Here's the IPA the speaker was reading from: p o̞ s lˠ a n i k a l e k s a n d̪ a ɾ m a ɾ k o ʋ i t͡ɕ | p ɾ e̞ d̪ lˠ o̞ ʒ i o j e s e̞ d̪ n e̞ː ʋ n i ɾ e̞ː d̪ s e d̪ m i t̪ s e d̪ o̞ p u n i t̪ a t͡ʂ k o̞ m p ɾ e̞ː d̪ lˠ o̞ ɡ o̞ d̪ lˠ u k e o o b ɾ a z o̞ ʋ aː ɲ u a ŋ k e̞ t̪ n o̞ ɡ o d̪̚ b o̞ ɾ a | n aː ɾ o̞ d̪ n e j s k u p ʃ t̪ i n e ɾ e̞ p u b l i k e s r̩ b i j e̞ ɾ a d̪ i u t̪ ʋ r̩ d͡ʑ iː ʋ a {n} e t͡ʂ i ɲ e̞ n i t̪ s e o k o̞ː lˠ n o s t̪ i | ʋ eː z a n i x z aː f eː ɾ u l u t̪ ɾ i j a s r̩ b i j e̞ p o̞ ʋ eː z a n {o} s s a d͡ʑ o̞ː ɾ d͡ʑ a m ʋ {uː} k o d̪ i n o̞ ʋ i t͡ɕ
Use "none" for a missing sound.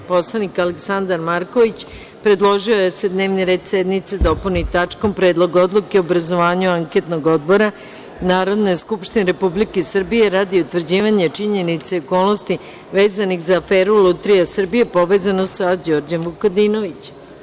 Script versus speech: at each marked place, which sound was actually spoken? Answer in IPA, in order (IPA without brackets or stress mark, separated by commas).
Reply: ɲ, o, u